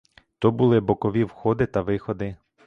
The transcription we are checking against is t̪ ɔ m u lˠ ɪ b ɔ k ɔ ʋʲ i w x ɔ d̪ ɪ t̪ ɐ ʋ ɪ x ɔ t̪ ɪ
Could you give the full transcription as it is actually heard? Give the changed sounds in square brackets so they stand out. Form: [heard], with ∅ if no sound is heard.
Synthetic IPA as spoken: t̪ ɔ [b] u lˠ ɪ b ɔ k ɔ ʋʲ i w x ɔ d̪ ɪ t̪ ɐ ʋ ɪ x ɔ [d̪] ɪ